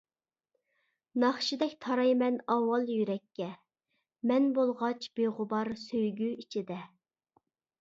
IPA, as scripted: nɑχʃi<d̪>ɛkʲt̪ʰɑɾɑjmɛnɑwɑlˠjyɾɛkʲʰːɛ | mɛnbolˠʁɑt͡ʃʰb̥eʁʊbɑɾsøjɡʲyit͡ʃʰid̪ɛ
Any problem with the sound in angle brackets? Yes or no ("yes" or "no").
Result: no